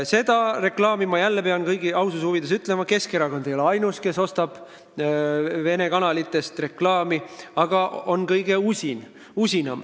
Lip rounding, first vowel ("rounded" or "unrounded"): unrounded